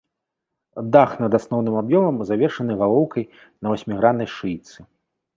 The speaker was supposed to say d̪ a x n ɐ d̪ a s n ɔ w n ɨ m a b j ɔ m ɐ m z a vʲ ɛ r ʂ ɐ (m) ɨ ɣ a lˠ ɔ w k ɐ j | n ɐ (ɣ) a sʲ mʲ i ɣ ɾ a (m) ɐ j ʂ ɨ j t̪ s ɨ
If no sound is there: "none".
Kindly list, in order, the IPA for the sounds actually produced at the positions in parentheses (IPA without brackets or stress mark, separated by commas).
n, v, n